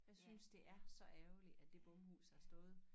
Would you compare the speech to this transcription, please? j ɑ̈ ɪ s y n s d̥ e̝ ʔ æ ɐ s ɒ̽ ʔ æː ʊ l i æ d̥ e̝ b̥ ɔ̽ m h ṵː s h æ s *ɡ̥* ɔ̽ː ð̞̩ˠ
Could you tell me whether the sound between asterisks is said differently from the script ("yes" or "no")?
yes